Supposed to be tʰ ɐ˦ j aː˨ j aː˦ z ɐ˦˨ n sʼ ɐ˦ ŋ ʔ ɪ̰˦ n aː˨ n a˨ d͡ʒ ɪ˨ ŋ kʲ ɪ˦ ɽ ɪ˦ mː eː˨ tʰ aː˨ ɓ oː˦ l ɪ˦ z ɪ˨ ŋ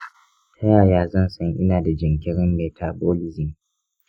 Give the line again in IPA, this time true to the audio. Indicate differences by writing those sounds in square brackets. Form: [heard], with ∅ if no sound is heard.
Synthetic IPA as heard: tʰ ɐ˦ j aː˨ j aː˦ z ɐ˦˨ n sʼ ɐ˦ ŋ ʔ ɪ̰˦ n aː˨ [d] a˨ d͡ʒ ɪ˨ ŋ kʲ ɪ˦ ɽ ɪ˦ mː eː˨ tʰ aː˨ [b] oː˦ l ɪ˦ z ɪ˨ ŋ

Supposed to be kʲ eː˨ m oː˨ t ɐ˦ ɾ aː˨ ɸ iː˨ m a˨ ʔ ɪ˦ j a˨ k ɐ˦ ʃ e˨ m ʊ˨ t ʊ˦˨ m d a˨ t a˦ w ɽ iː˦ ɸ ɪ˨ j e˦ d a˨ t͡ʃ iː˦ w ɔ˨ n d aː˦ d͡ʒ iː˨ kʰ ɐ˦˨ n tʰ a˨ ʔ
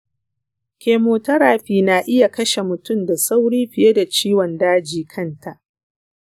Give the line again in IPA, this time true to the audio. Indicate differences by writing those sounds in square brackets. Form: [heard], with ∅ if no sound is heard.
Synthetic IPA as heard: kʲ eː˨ m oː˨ t ɐ˦ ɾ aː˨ ɸ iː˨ [n] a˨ ʔ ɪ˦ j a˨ k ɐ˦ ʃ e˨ m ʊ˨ t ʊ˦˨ m d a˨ [s] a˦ w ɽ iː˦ ɸ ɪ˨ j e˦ d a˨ t͡ʃ iː˦ w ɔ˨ n d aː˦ d͡ʒ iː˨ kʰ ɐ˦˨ n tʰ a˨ ʔ

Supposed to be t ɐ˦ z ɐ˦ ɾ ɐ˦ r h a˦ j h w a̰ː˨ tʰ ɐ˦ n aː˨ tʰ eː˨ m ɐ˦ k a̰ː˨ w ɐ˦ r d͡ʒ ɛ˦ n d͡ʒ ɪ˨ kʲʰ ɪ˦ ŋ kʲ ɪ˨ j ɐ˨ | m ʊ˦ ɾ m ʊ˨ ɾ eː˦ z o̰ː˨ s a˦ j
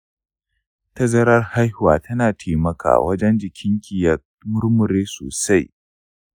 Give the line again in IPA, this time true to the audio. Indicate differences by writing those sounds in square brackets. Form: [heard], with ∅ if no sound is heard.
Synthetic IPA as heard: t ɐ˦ z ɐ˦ ɾ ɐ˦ r h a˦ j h w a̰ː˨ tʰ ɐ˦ n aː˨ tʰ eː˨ m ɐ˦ k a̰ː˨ w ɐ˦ [∅] d͡ʒ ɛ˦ n d͡ʒ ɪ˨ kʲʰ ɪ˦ ŋ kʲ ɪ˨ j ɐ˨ | m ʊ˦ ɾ m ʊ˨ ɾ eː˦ [s] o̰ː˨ s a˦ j

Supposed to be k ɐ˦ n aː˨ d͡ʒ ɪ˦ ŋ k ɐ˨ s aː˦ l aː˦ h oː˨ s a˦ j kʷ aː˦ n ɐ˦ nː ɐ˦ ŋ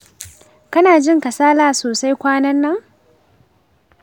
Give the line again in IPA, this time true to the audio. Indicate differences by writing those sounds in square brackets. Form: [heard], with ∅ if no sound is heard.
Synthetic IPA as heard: k ɐ˦ n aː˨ d͡ʒ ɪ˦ ŋ k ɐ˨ s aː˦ l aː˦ [s] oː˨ s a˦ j kʷ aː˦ n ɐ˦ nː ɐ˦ ŋ

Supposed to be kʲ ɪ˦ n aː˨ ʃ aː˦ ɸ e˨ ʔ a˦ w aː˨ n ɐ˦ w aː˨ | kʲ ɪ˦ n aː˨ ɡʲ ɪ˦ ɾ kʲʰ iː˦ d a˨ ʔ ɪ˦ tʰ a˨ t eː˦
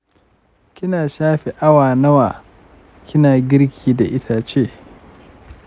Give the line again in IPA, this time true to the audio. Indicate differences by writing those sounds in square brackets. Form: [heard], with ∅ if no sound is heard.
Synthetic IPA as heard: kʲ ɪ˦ n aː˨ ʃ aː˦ ɸ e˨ ʔ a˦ w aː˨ n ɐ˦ w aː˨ | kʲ ɪ˦ n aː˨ ɡʲ ɪ˦ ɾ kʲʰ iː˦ d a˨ ʔ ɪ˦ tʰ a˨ [t͡ʃ] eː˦

